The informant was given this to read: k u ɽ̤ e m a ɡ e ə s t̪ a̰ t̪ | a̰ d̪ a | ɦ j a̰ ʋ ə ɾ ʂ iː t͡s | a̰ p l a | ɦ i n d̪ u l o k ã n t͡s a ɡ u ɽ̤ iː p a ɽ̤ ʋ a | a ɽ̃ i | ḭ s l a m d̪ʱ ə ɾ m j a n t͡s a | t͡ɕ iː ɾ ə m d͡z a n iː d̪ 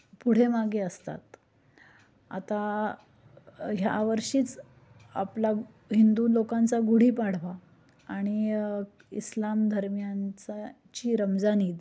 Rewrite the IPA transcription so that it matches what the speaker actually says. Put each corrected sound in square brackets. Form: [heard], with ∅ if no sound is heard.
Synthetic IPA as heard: [p] u ɽ̤ e m a ɡ e ə s t̪ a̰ t̪ | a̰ [t̪] a | ɦ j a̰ ʋ ə ɾ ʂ iː t͡s | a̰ p l a | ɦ i n d̪ u l o k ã n t͡s a ɡ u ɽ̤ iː p a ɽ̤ ʋ a | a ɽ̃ i | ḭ s l a m d̪ʱ ə ɾ m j a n t͡s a | t͡ɕ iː ɾ ə m d͡z a n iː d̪